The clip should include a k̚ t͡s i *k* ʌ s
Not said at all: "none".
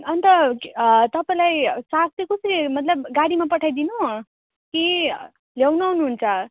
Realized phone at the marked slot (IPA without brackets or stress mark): k